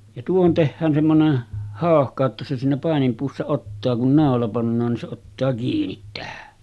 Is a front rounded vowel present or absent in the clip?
absent